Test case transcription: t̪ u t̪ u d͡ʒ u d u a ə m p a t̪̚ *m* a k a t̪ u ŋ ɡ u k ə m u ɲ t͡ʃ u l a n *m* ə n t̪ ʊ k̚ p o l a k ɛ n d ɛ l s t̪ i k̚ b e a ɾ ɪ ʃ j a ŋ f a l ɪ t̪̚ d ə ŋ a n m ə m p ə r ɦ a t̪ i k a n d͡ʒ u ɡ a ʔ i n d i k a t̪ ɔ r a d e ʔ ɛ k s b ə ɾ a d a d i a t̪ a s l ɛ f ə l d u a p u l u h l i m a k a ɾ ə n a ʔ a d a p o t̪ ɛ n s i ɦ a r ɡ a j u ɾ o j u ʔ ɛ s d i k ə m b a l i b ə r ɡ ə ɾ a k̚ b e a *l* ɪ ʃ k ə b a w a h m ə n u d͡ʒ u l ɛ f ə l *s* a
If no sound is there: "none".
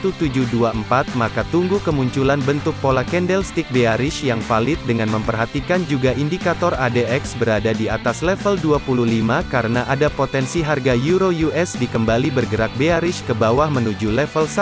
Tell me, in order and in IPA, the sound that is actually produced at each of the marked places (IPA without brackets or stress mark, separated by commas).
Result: m, b, ɾ, s